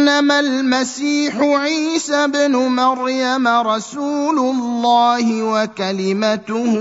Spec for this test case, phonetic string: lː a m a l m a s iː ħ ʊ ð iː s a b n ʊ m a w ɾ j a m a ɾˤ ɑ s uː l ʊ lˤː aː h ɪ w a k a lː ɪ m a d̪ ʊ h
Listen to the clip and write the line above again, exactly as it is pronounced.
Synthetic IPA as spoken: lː a m a l m a s iː ħ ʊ ʕ iː s a b n ʊ m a ɾ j a m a ɾˤ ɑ s uː l ʊ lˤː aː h ɪ w a k a l ɪ m a t̪ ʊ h